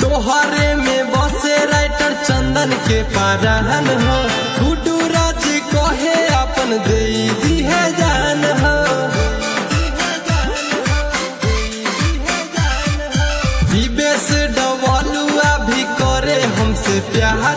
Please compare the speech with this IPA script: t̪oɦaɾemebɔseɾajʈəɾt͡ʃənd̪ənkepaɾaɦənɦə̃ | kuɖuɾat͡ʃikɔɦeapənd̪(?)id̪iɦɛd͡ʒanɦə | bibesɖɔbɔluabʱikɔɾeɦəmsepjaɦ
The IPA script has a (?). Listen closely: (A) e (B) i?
A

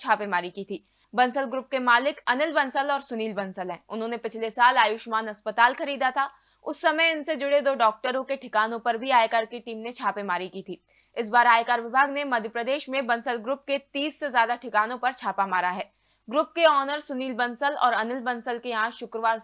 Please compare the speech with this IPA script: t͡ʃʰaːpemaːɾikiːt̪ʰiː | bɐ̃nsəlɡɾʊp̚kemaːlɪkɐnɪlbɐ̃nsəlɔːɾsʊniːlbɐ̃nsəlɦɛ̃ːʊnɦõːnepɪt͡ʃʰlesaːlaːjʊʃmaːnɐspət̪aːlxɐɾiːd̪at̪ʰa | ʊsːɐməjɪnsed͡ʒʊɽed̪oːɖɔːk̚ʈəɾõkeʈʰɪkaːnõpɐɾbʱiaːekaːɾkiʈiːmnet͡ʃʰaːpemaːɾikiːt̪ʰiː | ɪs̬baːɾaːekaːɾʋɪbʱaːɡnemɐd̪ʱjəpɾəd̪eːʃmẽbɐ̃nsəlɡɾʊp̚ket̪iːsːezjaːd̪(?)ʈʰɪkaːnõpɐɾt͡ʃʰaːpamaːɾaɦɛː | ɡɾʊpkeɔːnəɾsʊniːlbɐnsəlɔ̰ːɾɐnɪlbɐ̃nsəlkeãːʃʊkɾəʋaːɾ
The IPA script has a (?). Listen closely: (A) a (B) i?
A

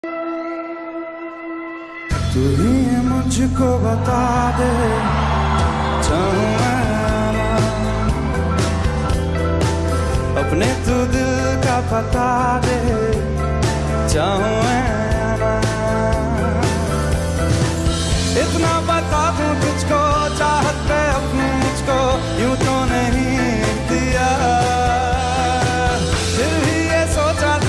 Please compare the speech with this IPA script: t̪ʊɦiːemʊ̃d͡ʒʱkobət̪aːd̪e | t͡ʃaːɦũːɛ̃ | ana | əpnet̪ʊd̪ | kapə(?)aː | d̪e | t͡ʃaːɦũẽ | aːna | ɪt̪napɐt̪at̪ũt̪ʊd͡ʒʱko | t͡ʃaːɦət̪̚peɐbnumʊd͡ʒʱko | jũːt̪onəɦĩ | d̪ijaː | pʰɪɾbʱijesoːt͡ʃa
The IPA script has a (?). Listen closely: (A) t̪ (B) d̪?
A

